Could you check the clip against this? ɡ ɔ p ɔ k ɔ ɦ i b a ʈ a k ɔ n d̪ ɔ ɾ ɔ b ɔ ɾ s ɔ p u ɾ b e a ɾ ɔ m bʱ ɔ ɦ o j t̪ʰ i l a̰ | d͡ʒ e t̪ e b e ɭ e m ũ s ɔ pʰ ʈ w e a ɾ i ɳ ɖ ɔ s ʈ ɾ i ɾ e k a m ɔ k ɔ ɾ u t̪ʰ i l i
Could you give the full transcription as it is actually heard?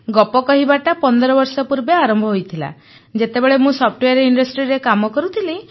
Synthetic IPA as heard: ɡ ɔ p ɔ k ɔ ɦ i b a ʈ a p ɔ n d̪ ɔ ɾ ɔ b ɔ ɾ s ɔ p u ɾ b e a ɾ ɔ m bʱ ɔ ɦ o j t̪ʰ i l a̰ | d͡ʒ e t̪ e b e ɭ e m ũ s ɔ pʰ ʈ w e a ɾ i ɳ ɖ ɔ s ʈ ɾ i ɾ e k a m ɔ k ɔ ɾ u t̪ʰ i l i